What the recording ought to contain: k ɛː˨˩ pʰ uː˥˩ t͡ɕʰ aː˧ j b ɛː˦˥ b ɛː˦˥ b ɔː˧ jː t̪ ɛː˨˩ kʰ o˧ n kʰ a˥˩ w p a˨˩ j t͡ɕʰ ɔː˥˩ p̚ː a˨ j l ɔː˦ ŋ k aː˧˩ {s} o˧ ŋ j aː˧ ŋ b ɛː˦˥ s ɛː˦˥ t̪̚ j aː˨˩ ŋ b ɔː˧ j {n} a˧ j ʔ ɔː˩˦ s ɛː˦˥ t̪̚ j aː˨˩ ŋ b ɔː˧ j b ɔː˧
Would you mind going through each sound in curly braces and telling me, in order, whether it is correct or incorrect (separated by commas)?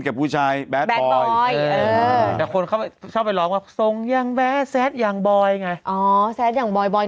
correct, incorrect